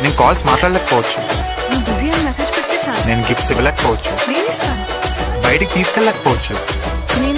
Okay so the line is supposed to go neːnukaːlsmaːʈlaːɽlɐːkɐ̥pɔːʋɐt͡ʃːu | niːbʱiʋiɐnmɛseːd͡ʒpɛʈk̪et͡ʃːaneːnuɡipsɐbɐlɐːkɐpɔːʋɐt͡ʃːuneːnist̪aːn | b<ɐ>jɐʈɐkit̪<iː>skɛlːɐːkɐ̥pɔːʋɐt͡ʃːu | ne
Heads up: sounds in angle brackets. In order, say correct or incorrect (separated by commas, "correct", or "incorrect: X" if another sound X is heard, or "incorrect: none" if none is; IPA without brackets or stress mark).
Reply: correct, correct